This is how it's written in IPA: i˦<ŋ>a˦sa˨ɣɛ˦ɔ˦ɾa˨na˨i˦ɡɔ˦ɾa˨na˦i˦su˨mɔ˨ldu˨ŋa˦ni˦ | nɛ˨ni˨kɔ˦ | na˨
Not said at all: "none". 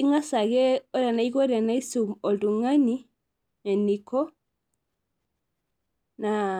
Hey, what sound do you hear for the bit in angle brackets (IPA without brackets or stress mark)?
ŋ